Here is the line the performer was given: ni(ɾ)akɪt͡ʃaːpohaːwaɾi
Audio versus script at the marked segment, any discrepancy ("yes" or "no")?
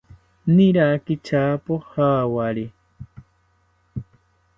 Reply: no